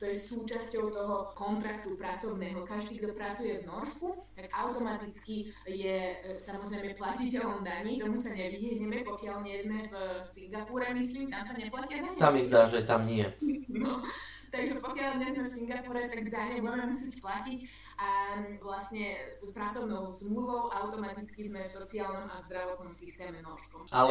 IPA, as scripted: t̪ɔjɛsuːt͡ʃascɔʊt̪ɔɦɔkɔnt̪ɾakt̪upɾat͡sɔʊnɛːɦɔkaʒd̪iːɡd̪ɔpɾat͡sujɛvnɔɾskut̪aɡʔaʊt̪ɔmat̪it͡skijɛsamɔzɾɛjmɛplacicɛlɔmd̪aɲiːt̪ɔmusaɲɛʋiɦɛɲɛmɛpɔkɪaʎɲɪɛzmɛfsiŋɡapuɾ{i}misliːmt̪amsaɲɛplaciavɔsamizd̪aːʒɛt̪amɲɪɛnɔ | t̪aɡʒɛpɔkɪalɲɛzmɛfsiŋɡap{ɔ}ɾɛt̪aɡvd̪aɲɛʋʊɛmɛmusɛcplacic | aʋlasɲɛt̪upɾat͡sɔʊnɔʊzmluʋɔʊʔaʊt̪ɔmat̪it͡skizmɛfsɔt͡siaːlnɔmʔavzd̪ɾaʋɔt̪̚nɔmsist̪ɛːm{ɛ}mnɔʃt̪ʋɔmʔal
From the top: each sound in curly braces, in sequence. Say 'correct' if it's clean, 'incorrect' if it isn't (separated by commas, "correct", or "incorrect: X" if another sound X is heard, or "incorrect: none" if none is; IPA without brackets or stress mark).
incorrect: ɛ, incorrect: u, correct